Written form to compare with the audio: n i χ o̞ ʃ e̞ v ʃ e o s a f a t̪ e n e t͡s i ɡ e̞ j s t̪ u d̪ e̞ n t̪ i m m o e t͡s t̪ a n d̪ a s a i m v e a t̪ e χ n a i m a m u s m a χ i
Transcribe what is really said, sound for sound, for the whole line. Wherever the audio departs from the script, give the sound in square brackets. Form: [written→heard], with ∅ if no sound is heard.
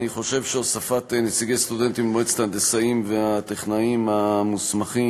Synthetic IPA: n i χ o̞ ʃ e̞ v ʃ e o s a f a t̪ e n e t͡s i ɡ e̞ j s t̪ u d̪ e̞ n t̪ i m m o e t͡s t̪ a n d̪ [a→e] s a i m v e a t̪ e χ n a i m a m u s m a χ i